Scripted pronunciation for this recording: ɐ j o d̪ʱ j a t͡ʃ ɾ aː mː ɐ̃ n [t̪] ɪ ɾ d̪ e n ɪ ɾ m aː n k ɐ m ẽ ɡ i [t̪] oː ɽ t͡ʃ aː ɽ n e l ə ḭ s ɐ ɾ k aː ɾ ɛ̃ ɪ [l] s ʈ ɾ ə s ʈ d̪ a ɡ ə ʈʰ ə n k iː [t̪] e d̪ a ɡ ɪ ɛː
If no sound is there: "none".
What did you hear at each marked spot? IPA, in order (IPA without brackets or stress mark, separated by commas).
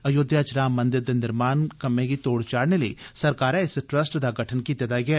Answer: d̪, t̪, none, t̪